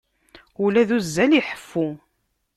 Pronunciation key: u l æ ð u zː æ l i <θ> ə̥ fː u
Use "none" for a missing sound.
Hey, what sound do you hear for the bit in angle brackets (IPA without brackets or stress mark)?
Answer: ħ